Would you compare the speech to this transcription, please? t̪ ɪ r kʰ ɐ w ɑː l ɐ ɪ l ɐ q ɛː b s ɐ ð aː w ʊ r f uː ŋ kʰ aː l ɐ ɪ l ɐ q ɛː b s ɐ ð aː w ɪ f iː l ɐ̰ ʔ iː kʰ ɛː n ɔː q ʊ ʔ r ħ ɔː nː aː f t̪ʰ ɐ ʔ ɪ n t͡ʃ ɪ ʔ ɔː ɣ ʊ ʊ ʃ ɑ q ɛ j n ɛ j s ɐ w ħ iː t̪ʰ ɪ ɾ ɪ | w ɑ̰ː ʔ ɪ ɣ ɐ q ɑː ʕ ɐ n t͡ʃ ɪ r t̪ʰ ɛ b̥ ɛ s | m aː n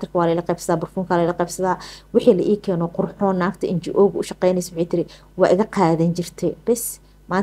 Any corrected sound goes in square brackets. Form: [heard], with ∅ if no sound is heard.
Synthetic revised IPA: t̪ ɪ r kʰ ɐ w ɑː l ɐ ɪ l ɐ q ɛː b s ɐ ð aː [b] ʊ r f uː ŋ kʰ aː l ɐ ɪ l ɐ q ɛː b s ɐ ð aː w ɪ [ħ] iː l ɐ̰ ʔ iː kʰ ɛː n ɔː q ʊ [∅] r ħ ɔː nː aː f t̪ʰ ɐ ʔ ɪ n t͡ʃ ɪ ʔ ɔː ɣ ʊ ʊ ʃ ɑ q ɛ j n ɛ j s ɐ w ħ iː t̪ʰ ɪ ɾ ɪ | w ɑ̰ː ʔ ɪ ɣ ɐ q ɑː [ð] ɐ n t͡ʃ ɪ r t̪ʰ ɛ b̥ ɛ s | m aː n